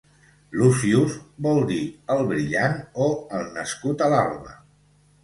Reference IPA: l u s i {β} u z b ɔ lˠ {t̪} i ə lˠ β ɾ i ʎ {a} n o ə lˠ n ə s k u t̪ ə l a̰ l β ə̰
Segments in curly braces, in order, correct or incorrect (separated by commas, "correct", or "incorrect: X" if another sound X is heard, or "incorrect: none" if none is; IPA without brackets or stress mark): incorrect: none, incorrect: d̪, correct